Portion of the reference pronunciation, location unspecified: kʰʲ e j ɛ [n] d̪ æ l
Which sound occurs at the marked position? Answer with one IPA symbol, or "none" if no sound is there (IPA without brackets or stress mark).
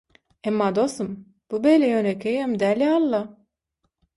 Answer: m